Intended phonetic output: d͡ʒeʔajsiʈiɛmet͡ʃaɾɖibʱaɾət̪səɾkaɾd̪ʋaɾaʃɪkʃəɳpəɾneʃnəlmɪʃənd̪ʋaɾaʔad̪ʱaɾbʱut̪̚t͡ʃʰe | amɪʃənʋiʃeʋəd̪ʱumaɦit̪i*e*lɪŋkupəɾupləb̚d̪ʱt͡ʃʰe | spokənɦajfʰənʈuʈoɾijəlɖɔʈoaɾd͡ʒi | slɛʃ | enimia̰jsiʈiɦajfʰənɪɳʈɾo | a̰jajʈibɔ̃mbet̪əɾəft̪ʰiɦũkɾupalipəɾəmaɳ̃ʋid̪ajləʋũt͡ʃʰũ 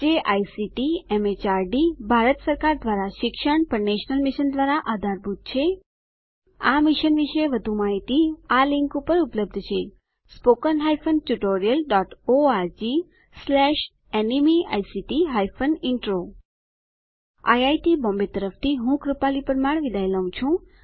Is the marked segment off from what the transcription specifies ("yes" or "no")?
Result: yes